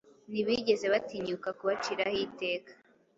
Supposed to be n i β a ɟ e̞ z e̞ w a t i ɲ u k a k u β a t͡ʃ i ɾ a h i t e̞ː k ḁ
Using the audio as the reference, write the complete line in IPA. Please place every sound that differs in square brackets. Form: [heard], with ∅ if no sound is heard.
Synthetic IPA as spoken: n i β [i] ɟ e̞ z e̞ [β] a t i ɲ u k a k u β a t͡ʃ i ɾ a h i t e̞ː k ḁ